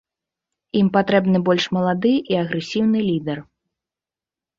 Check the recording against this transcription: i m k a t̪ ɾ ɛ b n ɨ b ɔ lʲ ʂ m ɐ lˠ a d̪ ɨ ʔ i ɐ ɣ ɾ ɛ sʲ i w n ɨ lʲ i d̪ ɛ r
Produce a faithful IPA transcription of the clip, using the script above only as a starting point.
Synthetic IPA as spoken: i m p a t̪ ɾ ɛ b n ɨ b ɔ lʲ ʂ m ɐ lˠ a d̪ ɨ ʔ i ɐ ɣ ɾ ɛ sʲ i w n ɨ lʲ i d̪ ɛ r